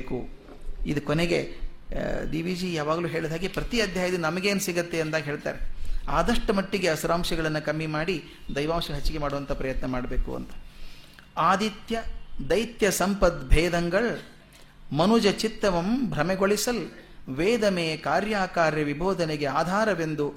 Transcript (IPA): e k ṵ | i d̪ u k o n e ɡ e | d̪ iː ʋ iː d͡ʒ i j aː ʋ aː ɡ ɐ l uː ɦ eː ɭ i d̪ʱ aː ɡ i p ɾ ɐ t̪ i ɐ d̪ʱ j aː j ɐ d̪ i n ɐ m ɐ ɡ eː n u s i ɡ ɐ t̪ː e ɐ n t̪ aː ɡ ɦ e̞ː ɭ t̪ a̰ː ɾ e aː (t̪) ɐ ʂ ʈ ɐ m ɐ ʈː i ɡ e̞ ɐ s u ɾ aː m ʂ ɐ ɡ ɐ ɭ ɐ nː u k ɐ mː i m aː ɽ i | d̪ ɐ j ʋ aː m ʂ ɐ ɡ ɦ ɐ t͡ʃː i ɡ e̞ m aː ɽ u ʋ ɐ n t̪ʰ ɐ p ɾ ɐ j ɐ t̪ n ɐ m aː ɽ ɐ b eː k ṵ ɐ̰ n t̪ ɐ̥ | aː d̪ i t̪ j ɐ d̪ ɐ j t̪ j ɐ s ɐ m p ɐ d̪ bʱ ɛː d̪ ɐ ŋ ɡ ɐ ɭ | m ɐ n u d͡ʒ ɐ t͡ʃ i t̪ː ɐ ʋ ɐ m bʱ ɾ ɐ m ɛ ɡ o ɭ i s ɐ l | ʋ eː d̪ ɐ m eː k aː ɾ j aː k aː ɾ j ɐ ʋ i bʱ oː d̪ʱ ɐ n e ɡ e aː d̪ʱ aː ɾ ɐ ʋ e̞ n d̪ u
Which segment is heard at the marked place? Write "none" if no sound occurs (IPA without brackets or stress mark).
d̪